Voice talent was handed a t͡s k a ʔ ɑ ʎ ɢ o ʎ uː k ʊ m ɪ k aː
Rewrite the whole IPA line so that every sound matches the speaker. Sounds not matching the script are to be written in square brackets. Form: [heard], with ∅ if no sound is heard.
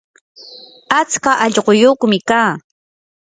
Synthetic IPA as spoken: a t͡s k a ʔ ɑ ʎ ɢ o [j] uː k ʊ m ɪ k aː